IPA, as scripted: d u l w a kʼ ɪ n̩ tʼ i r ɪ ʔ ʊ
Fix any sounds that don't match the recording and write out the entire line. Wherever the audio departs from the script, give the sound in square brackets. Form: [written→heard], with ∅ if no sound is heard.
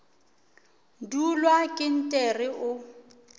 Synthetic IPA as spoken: d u l w a kʼ ɪ n̩ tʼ [i→ɛ] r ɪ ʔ ʊ